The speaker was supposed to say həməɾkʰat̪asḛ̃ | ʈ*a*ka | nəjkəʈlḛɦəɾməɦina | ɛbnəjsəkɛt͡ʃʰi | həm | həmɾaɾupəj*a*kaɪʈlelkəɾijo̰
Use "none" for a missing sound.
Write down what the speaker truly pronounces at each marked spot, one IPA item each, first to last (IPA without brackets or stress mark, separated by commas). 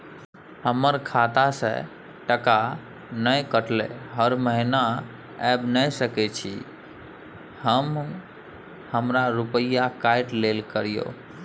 ə, a